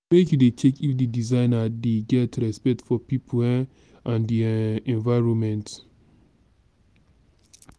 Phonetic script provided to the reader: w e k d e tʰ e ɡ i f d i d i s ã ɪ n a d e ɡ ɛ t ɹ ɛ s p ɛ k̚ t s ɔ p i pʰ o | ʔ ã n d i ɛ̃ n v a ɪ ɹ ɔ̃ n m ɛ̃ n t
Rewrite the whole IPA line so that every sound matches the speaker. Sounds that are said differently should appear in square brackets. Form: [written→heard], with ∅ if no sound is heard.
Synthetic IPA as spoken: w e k d e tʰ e [ɡ→k] i f d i d i [s→z] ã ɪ n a d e ɡ ɛ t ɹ ɛ s p ɛ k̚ t [s→f] ɔ p i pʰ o | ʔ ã n d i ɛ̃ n v a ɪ ɹ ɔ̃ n m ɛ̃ n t